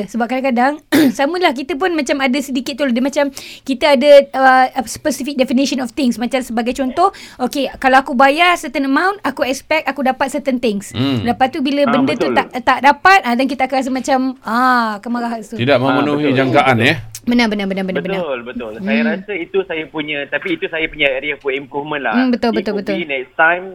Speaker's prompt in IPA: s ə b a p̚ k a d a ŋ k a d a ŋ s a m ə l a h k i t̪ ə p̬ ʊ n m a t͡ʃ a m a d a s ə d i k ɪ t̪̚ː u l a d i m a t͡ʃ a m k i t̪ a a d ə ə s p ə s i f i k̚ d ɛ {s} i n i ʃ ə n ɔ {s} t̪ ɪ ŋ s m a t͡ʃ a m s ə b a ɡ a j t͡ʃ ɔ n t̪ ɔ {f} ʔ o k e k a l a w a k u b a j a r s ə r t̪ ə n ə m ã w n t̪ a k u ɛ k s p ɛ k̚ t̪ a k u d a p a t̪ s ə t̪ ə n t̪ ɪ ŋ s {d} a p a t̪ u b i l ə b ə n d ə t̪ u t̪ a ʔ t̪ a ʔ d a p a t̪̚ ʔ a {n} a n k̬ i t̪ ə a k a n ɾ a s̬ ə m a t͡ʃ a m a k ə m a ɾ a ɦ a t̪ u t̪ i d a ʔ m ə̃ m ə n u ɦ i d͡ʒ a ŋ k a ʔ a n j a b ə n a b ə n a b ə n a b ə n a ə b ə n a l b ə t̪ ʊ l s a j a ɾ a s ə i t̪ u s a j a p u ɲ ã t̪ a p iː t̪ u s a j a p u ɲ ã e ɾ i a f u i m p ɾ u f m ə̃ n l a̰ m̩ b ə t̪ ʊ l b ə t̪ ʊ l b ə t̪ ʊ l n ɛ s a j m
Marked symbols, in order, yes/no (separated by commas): no, no, no, yes, no